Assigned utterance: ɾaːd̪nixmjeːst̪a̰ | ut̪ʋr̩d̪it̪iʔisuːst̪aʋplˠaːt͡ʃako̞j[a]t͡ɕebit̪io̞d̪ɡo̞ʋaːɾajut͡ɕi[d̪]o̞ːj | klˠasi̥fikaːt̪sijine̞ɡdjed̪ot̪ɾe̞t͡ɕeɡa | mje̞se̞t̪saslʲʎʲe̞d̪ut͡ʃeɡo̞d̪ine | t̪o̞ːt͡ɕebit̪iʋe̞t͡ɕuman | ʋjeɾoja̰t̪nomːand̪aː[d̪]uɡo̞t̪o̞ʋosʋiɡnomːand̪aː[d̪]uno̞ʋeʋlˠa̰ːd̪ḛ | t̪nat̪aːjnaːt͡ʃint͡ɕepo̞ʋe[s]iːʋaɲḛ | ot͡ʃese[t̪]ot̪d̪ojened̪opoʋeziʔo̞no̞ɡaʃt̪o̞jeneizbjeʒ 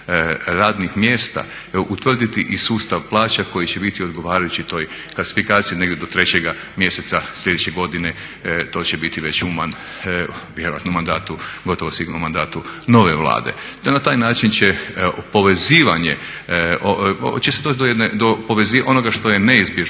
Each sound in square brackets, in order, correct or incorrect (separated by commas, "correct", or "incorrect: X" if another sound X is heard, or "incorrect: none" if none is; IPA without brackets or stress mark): incorrect: i, incorrect: t̪, incorrect: t̪, incorrect: t̪, incorrect: z, incorrect: d̪